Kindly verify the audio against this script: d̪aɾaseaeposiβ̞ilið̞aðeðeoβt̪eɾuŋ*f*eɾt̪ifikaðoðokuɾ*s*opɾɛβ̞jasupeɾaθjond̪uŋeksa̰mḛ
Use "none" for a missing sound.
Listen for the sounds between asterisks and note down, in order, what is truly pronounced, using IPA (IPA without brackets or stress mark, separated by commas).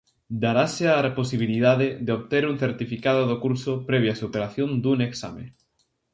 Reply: θ, s